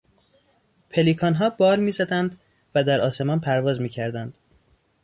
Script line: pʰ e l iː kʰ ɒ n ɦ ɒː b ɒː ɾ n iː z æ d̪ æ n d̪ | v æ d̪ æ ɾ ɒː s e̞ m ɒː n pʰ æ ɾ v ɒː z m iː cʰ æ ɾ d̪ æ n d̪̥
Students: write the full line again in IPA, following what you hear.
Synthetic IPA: pʰ e l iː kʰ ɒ n ɦ ɒː b ɒː ɾ m iː z æ d̪ æ n d̪ | v æ d̪ æ ɾ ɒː s e̞ m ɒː n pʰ æ ɾ v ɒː z m iː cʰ æ ɾ d̪ æ n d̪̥